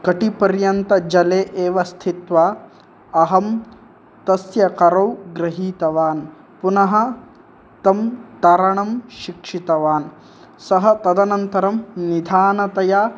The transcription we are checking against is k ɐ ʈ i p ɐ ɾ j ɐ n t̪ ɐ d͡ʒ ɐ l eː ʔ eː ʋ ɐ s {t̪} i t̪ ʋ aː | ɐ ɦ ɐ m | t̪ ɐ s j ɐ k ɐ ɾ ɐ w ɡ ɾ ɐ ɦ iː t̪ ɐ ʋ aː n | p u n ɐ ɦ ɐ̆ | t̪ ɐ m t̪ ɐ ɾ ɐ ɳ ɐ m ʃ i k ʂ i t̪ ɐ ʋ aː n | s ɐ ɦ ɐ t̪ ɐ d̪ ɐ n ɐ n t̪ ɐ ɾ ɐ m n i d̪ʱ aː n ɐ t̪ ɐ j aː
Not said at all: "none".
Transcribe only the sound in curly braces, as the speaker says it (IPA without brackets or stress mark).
t̪ʰ